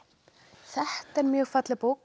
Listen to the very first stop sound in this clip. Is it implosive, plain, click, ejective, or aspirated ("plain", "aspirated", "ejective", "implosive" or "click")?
plain